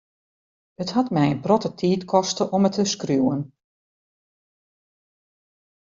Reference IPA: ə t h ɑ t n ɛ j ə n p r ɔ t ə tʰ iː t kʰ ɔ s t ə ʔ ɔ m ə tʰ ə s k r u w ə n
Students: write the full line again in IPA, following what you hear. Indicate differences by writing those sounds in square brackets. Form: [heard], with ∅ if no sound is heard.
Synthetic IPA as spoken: ə t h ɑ t [m] ɛ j ə n p r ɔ t ə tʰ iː t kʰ ɔ s t ə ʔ ɔ m ə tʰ ə s k r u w ə n